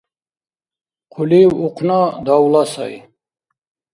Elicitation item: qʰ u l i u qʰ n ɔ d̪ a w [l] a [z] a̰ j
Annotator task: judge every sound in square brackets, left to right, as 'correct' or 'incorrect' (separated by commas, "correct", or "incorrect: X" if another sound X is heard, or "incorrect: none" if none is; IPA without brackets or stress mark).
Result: correct, incorrect: s